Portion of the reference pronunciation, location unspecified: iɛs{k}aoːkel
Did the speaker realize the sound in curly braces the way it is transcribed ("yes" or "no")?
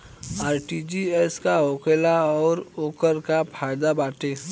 yes